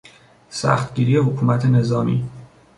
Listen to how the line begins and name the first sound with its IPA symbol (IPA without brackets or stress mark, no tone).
s